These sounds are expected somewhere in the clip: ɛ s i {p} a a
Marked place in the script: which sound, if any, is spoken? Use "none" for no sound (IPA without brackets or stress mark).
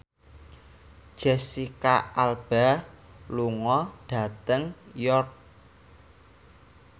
k